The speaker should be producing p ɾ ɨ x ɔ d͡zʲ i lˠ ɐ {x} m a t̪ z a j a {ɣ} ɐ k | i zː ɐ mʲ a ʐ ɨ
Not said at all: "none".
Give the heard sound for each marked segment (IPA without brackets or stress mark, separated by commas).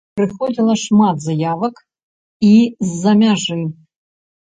ʂ, v